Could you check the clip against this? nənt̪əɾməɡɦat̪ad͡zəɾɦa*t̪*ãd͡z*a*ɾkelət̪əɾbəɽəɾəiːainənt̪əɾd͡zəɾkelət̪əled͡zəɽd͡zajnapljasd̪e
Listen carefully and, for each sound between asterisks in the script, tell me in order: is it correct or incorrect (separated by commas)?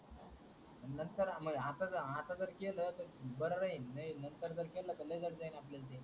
correct, incorrect